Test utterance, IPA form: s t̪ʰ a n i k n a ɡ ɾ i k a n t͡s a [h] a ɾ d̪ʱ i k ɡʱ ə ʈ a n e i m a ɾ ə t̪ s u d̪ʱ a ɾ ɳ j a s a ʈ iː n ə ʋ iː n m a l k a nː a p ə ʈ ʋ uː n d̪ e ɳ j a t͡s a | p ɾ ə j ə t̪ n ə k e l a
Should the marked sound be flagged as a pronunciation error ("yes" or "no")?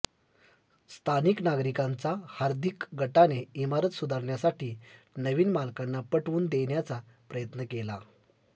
no